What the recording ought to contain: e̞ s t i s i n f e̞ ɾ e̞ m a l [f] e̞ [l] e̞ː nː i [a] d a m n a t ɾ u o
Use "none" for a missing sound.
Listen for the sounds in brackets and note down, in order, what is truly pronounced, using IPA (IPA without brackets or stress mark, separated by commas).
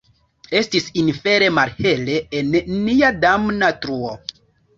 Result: h, l, a